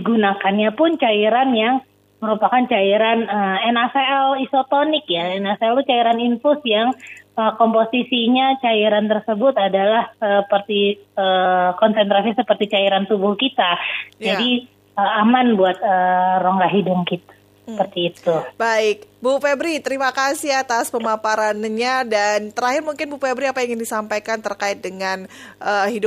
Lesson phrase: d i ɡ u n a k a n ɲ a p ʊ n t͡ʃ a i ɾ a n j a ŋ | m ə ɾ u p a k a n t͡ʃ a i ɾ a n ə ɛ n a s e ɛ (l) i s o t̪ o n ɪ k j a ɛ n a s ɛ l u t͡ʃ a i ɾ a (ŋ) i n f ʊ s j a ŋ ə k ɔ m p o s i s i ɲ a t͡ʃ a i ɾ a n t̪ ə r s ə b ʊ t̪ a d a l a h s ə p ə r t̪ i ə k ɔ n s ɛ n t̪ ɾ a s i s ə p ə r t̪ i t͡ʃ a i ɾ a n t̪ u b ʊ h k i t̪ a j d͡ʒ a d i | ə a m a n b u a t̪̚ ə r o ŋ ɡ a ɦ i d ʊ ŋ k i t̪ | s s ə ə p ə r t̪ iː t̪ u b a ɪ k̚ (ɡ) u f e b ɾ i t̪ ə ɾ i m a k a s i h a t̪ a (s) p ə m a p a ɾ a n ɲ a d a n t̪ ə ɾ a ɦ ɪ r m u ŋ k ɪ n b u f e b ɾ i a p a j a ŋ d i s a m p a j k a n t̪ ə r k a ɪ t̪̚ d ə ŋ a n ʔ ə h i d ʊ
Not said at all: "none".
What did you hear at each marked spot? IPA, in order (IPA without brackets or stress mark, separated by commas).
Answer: l, n, b, s